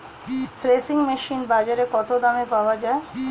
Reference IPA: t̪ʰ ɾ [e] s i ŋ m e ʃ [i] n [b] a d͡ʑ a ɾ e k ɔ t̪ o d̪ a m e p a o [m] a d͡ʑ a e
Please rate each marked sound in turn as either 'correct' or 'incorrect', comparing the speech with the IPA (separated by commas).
correct, correct, correct, incorrect